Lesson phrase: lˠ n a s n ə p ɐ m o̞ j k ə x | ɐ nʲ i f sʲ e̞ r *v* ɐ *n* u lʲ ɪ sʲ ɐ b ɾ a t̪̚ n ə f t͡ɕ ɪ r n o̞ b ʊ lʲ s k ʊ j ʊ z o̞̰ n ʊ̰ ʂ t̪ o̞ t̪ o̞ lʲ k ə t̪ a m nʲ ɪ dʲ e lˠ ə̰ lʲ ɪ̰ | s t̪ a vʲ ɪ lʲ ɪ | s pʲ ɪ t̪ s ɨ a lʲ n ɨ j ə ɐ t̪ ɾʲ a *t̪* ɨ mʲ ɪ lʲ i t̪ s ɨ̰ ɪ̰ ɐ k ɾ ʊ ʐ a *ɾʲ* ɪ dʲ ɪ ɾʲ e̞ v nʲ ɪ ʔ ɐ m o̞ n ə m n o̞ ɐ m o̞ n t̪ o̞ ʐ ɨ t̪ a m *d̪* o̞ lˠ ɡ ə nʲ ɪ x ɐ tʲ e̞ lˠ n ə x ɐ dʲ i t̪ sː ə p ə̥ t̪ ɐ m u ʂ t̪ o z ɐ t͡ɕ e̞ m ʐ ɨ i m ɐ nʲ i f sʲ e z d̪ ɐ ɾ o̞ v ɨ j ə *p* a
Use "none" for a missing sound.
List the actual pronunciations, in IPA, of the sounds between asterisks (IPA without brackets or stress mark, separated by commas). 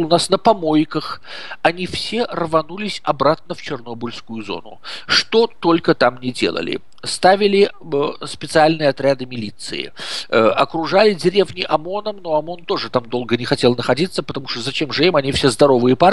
v, n, d̪, lʲ, d̪, p